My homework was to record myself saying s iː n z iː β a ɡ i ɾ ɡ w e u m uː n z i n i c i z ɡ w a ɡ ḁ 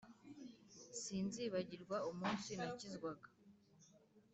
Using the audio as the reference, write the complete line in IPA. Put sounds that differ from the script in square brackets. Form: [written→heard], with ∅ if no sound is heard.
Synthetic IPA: s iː n z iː β a [ɡ→ɟ] i ɾ ɡ w [e→a] u m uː n [z→s] i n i c i z ɡ w a ɡ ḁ

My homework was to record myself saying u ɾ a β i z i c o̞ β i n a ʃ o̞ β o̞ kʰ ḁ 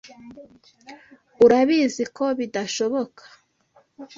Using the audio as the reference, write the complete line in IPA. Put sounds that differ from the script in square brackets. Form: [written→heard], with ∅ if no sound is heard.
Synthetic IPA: u ɾ a β i z i [c→k] o̞ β i [n→d] a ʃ o̞ β o̞ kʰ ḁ

